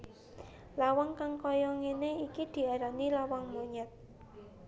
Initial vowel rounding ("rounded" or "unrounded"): unrounded